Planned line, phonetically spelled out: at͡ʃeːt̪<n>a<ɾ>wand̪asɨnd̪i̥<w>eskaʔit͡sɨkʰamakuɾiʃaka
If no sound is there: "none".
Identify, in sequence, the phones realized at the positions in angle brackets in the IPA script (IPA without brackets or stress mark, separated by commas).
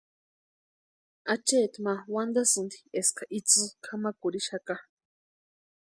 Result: m, none, none